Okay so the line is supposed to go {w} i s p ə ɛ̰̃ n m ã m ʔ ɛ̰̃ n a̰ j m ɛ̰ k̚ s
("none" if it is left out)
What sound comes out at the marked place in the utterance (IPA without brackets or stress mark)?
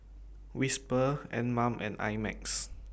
w